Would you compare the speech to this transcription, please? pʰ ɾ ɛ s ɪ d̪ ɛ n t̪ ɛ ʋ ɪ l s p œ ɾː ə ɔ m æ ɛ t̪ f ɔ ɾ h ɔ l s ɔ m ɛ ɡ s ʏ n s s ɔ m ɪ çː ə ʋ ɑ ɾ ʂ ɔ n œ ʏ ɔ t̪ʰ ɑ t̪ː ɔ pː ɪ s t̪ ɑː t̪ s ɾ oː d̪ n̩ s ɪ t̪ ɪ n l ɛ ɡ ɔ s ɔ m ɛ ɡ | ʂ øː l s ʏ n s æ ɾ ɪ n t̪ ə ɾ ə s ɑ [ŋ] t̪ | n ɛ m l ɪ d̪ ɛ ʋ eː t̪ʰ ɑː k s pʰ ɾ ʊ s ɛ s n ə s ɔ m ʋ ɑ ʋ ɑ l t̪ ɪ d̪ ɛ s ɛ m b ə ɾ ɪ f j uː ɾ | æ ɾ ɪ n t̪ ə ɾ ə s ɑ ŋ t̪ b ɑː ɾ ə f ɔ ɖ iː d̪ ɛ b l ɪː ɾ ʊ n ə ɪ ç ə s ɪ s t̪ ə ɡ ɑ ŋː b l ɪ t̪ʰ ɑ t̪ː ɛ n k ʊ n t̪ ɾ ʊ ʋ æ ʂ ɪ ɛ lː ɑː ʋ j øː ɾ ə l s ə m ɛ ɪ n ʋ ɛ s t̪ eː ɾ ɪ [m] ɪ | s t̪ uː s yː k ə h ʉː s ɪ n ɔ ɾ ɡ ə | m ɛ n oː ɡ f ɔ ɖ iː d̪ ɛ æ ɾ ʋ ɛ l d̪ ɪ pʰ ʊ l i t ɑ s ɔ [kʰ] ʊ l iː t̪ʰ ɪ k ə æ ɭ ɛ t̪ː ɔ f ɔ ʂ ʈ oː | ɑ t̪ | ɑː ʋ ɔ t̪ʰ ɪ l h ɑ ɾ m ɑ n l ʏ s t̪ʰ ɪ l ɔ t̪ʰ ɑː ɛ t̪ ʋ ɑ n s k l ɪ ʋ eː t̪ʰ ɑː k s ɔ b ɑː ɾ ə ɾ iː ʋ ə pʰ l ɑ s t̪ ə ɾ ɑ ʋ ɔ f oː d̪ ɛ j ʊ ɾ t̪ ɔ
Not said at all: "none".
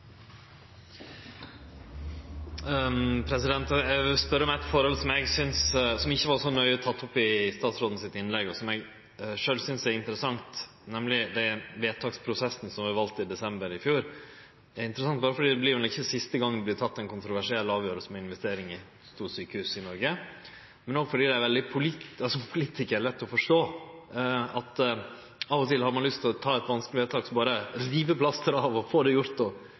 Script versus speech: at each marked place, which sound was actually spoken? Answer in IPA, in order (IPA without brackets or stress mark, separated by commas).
ŋ, ŋ, pʰ